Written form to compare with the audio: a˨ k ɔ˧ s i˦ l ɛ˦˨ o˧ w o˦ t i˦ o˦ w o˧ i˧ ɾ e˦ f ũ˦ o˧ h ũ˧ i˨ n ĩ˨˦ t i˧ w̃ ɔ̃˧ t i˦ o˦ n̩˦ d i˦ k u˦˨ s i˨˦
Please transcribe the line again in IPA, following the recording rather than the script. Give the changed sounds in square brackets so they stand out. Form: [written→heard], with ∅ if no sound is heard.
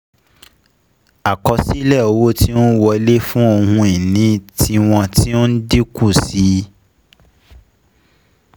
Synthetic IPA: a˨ k ɔ˧ s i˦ l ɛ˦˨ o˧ w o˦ t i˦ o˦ w [o˧→ɔ˧] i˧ [ɾ→l] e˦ f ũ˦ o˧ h ũ˧ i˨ n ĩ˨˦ t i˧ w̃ ɔ̃˧ t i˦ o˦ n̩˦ d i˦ k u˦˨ s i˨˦